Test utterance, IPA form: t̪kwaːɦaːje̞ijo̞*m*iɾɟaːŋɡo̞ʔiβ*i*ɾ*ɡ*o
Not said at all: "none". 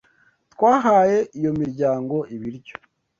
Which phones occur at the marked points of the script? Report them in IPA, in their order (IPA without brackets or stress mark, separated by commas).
m, i, ɟ